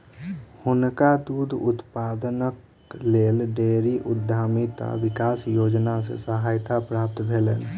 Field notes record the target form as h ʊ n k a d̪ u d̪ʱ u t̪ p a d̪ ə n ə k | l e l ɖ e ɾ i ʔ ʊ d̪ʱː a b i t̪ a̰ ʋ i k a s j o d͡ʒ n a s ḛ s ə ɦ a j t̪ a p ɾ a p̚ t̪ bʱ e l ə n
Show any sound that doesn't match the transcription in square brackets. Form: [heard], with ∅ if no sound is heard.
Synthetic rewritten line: h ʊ n k a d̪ u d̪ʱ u t̪ p a d̪ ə n ə k | l e l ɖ e ɾ i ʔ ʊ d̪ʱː a [m] i t̪ a̰ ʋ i k a s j o d͡ʒ n a s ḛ s ə ɦ a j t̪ a p ɾ a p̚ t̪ bʱ e l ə n